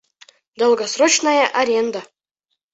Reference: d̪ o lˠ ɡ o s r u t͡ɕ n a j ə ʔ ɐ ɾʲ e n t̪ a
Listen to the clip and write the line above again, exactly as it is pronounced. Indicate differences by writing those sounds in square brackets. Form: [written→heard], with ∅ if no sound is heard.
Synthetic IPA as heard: d̪ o lˠ ɡ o s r [u→o] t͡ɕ n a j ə ʔ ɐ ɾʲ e n [t̪→d̪] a